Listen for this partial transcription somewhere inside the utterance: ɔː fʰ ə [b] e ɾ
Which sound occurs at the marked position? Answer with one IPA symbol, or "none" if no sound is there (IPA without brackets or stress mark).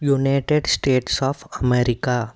m